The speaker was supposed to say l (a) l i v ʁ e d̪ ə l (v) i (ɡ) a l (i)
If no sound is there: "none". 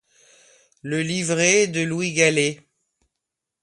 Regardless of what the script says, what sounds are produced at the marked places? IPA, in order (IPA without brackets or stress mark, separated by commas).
ə, w, ɡ, e